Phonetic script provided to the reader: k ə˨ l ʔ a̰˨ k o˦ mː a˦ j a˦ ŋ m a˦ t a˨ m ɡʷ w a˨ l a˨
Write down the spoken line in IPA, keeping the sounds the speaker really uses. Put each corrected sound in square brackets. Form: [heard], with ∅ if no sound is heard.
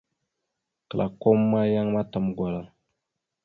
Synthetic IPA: k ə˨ l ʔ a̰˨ k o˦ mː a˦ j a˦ ŋ m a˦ t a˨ m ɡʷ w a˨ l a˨